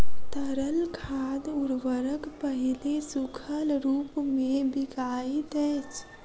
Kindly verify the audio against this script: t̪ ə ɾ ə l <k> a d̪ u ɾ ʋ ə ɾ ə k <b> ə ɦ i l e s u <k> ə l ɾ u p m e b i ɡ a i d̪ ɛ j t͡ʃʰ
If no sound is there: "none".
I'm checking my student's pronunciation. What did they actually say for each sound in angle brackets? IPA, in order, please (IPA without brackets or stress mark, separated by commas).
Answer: kʰ, p, kʰ